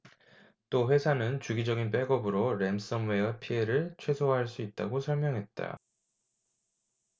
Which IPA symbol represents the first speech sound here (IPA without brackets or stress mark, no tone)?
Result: t͈